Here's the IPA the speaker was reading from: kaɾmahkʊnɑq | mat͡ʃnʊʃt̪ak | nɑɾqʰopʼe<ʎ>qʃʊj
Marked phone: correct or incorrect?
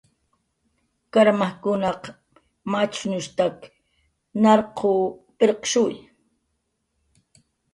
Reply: incorrect